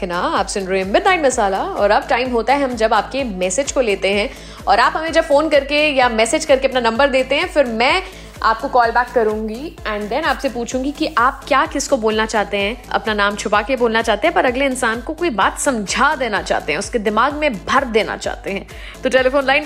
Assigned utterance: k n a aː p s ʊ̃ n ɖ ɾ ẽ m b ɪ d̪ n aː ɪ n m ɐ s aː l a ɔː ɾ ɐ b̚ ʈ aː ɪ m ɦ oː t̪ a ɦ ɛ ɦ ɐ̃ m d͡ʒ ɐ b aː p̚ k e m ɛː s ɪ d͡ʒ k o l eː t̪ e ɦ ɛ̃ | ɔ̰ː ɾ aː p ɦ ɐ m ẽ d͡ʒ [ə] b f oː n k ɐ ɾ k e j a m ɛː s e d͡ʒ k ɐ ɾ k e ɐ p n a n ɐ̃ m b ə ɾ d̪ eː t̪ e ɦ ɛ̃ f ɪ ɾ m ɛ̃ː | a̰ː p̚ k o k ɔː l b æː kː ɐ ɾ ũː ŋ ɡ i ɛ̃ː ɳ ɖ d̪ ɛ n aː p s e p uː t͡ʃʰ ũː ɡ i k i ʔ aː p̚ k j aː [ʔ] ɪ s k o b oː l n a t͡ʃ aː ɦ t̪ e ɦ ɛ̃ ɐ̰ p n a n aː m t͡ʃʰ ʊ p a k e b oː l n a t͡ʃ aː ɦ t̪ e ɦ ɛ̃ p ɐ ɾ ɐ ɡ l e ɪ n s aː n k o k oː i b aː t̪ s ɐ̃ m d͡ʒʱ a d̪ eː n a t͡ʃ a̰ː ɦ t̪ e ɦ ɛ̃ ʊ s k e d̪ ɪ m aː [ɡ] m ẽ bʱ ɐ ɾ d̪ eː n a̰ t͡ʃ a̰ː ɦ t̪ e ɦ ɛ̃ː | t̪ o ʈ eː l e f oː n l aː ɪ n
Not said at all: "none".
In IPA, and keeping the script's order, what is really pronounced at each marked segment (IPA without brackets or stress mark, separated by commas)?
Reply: ɐ, k, ɡ